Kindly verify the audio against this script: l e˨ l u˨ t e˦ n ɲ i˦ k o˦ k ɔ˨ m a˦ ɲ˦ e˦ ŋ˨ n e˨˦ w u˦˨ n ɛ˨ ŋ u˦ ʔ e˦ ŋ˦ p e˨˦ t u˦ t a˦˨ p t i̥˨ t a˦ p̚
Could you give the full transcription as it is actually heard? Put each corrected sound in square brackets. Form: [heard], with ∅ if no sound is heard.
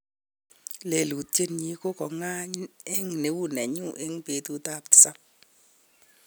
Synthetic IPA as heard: l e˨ l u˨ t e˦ n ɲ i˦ k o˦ k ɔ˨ [ŋ] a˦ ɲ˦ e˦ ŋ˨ n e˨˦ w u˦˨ n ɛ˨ [ɲ] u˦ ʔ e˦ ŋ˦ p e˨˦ t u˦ t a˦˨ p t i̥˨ [s] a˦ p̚